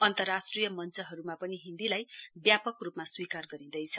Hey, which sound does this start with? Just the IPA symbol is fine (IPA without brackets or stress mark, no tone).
ʌ